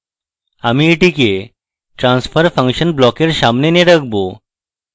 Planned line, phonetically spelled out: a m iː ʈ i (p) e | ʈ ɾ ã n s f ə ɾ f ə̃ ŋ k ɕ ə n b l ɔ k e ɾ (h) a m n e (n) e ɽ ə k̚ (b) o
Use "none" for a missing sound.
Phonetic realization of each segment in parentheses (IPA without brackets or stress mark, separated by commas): k, ɕ, n, b